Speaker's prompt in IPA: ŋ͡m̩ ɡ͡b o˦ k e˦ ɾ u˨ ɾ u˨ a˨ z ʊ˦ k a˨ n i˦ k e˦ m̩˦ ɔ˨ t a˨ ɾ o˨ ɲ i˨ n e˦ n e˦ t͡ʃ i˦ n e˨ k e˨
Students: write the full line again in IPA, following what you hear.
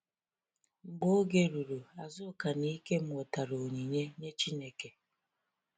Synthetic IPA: ŋ͡m̩ ɡ͡b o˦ ɡ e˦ ɾ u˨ ɾ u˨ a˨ z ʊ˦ k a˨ n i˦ k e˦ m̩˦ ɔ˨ t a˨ ɾ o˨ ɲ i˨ ɲ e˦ ɲ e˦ t͡ʃ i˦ n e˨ k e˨